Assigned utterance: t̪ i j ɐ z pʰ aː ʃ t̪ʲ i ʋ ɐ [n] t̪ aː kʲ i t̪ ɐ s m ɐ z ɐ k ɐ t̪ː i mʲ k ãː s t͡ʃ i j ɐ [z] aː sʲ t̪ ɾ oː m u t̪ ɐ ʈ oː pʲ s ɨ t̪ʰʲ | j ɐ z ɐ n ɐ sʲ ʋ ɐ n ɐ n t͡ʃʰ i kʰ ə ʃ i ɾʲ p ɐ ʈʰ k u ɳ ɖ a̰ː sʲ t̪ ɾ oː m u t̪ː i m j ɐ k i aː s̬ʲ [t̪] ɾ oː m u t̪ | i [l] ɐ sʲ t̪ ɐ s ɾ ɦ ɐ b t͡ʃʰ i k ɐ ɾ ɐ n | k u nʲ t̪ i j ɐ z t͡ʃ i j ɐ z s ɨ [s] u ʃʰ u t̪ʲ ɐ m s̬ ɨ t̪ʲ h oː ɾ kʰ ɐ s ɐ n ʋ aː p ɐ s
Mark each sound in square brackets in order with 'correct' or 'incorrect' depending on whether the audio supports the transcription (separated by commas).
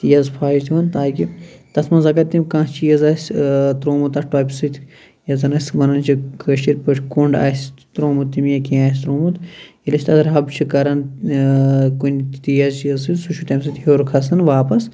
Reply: correct, correct, correct, correct, correct